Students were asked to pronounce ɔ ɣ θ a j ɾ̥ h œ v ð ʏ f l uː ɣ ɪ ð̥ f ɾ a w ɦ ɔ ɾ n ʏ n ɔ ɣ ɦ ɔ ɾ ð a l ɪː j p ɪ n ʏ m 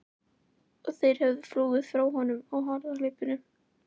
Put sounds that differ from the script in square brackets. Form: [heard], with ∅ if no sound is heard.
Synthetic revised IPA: ɔ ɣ θ [e] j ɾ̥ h [ɛ] v ð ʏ f l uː ɣ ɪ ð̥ f ɾ a w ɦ ɔ [∅] n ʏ [m] ɔ ɣ ɦ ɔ ɾ ð a l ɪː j p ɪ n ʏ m